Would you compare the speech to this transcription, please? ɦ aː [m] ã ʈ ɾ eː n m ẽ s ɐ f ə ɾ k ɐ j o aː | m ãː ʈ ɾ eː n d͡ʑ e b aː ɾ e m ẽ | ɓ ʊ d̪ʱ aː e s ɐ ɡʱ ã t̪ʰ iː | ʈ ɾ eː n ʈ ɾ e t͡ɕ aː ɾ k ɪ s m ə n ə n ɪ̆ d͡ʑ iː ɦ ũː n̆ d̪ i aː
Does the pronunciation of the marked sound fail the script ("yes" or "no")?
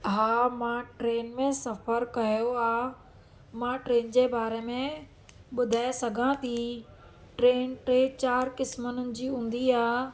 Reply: no